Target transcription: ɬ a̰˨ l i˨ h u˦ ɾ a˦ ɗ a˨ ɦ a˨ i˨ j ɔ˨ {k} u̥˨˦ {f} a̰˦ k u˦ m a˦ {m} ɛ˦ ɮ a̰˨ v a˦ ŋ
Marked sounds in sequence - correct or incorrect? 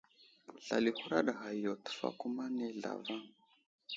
incorrect, correct, incorrect

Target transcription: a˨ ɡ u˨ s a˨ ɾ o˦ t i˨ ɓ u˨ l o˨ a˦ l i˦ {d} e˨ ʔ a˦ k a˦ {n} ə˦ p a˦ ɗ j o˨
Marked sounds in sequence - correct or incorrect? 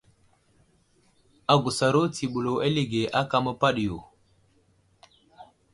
incorrect, incorrect

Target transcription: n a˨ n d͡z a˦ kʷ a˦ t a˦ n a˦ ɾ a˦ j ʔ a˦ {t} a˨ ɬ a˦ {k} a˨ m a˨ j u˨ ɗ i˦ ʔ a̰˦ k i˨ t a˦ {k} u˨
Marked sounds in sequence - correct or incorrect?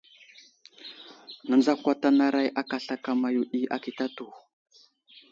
incorrect, correct, incorrect

